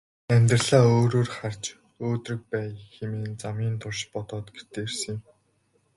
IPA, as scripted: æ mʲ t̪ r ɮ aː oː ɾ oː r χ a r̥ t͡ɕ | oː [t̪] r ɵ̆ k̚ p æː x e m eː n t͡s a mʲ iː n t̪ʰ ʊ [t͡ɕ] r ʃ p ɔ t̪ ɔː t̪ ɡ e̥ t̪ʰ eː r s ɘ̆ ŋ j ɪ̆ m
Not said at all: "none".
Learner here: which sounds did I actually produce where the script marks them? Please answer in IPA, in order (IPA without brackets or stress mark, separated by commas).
t̪, none